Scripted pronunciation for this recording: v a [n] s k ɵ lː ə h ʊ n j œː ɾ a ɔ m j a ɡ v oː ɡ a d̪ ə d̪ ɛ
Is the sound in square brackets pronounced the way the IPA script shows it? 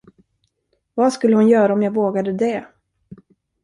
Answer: no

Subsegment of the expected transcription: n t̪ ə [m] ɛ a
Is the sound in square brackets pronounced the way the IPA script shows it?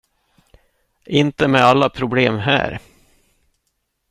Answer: yes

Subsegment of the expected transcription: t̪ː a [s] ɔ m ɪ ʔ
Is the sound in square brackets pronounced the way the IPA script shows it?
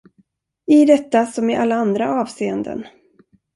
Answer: yes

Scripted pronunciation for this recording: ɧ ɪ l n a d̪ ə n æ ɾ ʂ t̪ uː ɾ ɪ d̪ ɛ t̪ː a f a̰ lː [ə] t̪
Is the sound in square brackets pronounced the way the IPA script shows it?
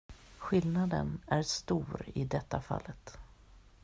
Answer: yes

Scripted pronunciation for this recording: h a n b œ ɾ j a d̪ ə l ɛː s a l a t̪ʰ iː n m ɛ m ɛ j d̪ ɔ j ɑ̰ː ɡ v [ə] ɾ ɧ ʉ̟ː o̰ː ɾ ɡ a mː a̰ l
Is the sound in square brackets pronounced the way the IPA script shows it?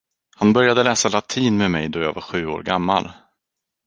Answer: no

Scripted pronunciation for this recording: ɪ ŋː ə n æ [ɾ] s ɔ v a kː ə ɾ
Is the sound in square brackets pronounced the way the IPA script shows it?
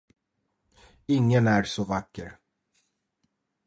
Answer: yes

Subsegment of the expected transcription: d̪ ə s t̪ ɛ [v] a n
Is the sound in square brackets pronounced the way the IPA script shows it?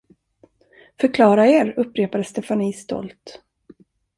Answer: no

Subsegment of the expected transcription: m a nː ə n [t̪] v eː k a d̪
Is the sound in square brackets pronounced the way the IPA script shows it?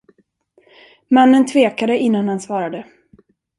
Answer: no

